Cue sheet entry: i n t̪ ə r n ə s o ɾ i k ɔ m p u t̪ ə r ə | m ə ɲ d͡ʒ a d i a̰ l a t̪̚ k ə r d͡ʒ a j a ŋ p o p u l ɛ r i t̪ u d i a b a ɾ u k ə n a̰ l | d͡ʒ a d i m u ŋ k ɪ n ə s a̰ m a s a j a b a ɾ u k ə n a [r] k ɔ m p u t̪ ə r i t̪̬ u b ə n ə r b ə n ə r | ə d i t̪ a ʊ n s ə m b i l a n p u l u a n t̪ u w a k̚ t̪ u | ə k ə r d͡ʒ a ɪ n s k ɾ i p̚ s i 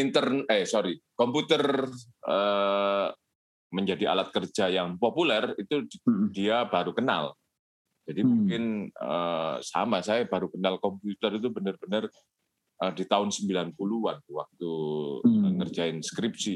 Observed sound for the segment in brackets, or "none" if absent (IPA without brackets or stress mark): l